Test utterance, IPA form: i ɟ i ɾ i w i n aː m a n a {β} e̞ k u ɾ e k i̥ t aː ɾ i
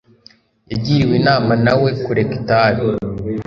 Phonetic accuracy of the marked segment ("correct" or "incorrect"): incorrect